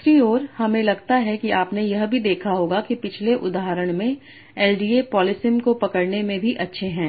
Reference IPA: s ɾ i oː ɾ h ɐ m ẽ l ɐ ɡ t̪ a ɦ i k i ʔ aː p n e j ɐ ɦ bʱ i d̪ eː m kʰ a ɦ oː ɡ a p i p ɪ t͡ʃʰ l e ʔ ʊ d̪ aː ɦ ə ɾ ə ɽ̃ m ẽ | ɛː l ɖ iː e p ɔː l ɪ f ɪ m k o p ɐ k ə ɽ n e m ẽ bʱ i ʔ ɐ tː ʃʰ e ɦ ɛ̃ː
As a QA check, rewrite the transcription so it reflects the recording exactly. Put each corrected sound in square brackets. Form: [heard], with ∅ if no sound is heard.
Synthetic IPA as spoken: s ɾ i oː ɾ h ɐ m ẽ l ɐ ɡ t̪ a ɦ [ɛ] k i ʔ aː p n e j ɐ ɦ bʱ i d̪ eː [∅] kʰ a ɦ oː ɡ a [k] i p ɪ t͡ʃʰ l e ʔ ʊ d̪ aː ɦ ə ɾ ə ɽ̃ m ẽ | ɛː l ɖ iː e p ɔː l ɪ [s] ɪ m k o p ɐ k ə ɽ n e m ẽ bʱ i ʔ ɐ tː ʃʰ e ɦ ɛ̃ː